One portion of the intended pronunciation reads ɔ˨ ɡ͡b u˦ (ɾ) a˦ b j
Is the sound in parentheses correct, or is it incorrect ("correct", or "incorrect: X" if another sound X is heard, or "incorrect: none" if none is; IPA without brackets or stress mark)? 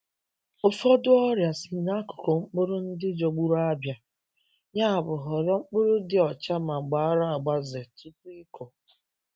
correct